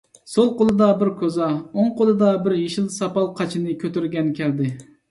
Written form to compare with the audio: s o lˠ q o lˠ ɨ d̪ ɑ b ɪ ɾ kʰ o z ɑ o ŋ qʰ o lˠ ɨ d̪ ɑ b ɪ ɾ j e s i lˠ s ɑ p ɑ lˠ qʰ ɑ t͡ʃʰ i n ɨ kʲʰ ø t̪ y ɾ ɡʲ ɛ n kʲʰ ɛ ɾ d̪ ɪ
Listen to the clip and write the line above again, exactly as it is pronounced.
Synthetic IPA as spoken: s o lˠ q o lˠ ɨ d̪ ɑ b ɪ ɾ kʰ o z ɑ o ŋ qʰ o lˠ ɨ d̪ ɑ b ɪ ɾ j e ʃ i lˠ s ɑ p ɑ lˠ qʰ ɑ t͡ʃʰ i n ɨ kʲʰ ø t̪ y ɾ ɡʲ ɛ n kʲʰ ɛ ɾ d̪ ɪ